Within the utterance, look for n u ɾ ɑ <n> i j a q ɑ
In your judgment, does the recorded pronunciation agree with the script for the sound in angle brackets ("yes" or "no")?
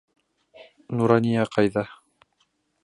yes